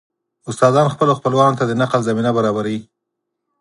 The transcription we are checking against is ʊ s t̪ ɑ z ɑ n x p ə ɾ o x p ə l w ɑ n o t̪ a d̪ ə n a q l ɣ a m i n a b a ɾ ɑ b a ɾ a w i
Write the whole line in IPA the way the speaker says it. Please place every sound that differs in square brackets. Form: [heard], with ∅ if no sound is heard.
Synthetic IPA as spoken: ʊ s t̪ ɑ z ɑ n x p ə [l] o x p ə l w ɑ n o t̪ a d̪ ə n a q l [z] a m i n a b a ɾ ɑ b a ɾ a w i